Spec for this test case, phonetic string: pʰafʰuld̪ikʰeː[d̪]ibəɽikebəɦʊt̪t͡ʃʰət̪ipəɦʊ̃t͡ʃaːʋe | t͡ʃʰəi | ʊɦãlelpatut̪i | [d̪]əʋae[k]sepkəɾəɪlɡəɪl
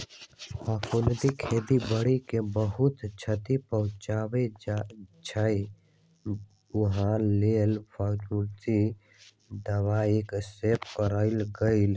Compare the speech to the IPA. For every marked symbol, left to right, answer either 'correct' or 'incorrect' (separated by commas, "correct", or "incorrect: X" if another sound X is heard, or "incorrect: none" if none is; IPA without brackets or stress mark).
correct, correct, correct